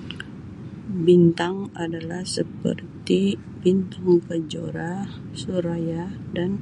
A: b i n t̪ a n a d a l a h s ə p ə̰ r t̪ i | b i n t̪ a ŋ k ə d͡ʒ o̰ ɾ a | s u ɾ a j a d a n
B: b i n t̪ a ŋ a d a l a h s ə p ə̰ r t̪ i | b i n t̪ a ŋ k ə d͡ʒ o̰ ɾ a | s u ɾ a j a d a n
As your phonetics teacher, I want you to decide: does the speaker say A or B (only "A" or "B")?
B